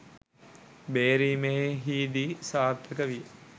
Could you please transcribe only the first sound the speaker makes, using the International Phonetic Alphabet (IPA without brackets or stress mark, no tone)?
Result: b